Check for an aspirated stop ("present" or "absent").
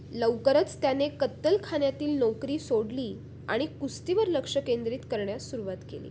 present